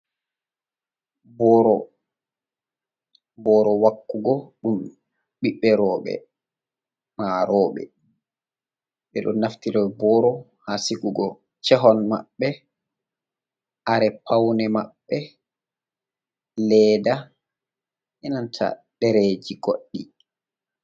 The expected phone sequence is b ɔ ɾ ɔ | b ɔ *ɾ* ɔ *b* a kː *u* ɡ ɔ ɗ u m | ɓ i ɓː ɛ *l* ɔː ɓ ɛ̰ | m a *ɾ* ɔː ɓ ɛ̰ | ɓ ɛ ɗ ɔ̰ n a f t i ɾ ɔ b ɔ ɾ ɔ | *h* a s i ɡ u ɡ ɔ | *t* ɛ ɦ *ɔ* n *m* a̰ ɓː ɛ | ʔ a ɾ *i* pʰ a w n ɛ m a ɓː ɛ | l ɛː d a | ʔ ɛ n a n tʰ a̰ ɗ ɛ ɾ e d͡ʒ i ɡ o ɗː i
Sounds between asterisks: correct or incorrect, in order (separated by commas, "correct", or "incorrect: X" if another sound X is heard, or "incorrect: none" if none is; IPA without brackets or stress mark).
correct, incorrect: w, correct, incorrect: ɾ, correct, correct, incorrect: t͡ʃ, correct, correct, incorrect: ɛ